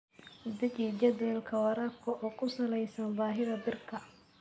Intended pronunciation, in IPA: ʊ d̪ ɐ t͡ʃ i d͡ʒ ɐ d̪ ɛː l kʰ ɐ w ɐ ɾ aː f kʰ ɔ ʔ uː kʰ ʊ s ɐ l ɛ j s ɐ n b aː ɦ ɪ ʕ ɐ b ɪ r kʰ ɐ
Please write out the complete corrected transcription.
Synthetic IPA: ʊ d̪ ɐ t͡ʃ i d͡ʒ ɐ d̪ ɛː l kʰ ɐ w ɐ ɾ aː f kʰ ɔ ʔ ɔː kʰ ʊ s ɐ l ɛ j s ɐ n b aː ɦ ɪ ð ɐ b ɪ r kʰ ɐ